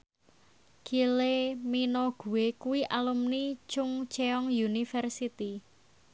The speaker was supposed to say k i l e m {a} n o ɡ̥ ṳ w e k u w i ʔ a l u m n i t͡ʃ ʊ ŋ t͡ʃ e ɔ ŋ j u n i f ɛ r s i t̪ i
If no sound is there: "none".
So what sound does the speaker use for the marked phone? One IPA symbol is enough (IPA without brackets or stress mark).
i